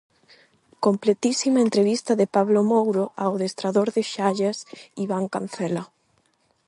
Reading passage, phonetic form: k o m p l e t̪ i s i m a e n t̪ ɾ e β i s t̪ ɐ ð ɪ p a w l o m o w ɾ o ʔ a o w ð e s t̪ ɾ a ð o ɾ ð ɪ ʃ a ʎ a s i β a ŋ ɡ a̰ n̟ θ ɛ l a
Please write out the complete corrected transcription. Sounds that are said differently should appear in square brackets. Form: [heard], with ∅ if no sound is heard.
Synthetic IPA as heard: k o m p l e t̪ i s i m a e n t̪ ɾ e β i s t̪ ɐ ð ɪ p a [β] l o m o w ɾ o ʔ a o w ð e s t̪ ɾ a ð o ɾ ð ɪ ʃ a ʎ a s i β a ŋ [k] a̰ n̟ θ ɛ l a